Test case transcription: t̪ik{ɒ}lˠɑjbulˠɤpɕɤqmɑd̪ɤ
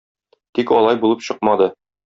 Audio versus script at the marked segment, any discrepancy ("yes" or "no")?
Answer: no